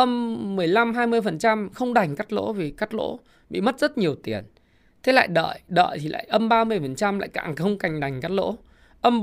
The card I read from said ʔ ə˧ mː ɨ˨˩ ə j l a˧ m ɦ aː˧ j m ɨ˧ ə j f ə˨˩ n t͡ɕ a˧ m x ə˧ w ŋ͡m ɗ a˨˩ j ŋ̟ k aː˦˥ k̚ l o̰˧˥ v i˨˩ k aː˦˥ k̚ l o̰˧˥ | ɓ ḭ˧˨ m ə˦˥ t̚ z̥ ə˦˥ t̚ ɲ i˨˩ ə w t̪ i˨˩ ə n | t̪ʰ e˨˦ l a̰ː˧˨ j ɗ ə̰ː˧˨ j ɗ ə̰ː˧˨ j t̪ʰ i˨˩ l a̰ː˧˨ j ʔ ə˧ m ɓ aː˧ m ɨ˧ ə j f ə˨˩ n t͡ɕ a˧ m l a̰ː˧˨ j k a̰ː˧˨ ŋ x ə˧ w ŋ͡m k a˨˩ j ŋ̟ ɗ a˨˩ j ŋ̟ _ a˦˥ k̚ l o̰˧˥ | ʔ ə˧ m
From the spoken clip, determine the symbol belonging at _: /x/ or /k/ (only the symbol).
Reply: k